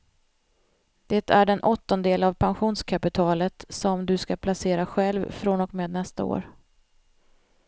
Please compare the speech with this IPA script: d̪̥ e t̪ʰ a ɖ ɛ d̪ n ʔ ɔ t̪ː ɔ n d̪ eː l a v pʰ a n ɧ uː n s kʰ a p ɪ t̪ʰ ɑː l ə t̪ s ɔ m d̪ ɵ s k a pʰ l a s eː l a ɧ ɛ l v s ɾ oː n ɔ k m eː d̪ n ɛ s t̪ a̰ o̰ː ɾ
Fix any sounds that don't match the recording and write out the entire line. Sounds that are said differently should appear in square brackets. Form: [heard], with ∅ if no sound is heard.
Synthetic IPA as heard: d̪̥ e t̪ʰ [æ] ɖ ɛ [∅] n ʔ ɔ t̪ː ɔ n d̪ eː l a v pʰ a n ɧ uː n s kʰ a p ɪ t̪ʰ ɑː l ə t̪ s ɔ m d̪ ɵ s k a pʰ l a s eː [ɾ] a ɧ ɛ l v [f] ɾ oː n ɔ k m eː d̪ n ɛ s t̪ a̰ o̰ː ɾ